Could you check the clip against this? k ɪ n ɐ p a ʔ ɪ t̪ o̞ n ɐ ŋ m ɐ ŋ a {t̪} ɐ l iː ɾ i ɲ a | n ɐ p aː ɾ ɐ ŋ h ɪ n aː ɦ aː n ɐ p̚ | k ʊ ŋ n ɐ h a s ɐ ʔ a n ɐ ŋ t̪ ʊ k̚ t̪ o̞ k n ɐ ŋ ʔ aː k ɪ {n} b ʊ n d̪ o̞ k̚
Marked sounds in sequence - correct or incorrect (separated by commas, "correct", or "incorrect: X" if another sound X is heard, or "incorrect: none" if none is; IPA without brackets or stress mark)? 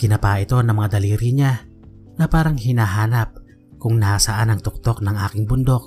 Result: incorrect: d̪, incorrect: ŋ